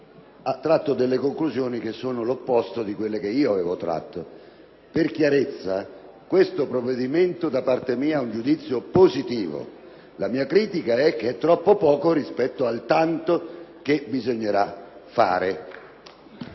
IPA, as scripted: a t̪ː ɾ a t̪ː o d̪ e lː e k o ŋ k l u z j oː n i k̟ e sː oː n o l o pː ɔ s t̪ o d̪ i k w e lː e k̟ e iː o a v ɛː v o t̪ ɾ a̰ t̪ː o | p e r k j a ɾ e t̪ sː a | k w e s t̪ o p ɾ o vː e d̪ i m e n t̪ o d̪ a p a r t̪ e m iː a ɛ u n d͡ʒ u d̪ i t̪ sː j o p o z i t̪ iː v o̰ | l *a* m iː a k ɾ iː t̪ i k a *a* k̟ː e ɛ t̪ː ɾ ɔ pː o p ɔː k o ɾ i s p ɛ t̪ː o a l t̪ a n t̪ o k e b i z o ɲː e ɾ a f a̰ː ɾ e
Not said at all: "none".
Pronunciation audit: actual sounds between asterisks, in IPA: a, ɛ

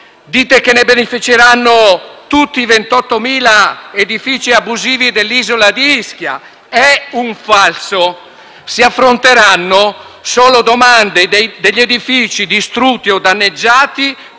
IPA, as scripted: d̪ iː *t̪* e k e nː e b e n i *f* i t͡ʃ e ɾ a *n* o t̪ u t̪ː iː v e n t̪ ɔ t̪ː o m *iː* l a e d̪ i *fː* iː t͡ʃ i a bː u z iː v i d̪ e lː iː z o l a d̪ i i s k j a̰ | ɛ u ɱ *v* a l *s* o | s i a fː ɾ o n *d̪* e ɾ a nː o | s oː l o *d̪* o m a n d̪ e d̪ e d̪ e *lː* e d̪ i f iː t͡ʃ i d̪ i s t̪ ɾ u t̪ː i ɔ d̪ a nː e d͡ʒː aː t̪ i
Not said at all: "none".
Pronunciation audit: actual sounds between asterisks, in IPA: t̪, f, nː, iː, f, f, s, t̪, d̪, ʎː

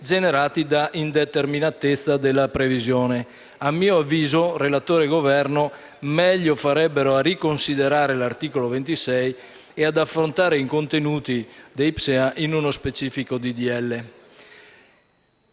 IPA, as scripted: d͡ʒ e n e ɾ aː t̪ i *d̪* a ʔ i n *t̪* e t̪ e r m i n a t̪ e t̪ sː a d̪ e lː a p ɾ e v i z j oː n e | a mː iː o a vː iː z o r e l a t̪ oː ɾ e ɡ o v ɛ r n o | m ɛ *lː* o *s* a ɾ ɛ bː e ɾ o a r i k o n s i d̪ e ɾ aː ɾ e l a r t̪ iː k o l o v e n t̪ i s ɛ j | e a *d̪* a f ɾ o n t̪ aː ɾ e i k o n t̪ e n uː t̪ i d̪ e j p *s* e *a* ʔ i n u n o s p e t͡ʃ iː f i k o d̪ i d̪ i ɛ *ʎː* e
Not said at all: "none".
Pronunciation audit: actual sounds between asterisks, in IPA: d̪, d̪, ʎː, f, d̪, s, a, lː

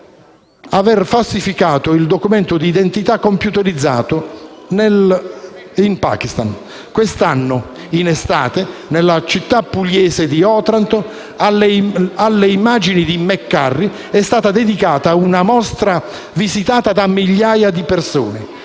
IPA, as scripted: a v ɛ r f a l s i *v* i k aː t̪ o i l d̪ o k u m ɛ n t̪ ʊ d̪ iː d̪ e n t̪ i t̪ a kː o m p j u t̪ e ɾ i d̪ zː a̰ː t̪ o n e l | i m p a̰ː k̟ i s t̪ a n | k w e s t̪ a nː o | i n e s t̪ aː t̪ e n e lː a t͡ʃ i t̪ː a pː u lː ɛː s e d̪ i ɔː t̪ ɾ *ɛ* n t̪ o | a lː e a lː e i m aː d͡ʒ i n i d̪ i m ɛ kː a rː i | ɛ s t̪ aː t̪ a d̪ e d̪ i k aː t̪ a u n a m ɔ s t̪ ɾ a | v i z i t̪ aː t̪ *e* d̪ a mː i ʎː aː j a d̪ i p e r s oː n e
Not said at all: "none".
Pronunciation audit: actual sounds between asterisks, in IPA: f, a, a

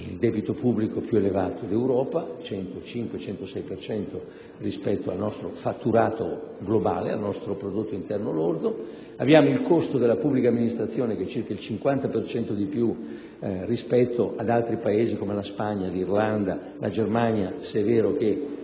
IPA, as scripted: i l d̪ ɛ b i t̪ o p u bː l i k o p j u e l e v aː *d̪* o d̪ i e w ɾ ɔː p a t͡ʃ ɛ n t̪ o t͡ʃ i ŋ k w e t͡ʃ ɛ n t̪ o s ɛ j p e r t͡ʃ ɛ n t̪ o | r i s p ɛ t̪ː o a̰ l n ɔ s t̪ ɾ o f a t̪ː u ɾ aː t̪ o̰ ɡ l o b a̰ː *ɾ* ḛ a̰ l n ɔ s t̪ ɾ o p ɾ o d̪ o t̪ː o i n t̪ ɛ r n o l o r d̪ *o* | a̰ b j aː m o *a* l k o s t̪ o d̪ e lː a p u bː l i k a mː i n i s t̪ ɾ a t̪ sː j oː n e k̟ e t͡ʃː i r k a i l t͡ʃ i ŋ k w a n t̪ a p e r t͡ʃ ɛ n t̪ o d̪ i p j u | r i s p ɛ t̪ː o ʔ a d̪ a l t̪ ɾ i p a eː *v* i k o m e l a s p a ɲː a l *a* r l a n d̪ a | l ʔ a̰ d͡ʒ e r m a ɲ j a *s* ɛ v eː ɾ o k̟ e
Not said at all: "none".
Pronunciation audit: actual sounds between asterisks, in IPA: t̪, l, o, i, z, i, s

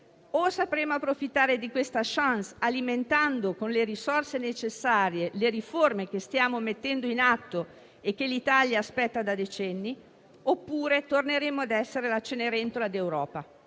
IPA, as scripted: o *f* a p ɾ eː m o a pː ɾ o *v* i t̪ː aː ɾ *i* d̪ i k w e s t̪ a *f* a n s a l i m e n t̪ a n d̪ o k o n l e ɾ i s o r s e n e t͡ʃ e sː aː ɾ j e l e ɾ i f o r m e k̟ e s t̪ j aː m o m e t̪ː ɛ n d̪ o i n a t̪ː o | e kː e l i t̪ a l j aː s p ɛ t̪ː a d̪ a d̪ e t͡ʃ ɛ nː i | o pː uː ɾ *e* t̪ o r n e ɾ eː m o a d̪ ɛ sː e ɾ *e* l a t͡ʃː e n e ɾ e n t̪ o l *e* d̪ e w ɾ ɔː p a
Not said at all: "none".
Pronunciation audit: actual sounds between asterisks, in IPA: s, f, e, ʃ, e, e, a

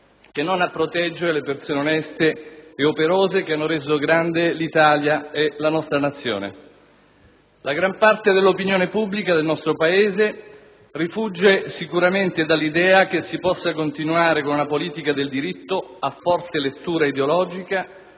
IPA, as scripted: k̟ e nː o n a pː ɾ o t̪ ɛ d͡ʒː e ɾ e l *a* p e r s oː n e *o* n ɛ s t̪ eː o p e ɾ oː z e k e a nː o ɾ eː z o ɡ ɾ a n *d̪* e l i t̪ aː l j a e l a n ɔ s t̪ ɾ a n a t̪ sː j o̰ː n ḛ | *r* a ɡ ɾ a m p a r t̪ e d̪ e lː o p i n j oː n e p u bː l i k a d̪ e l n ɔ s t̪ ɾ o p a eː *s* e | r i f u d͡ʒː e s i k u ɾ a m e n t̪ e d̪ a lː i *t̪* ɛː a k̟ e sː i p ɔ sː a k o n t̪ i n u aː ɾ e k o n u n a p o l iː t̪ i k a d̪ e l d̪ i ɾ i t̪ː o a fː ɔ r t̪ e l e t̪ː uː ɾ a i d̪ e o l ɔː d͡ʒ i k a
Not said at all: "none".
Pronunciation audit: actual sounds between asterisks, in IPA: e, o, d̪, l, z, d̪

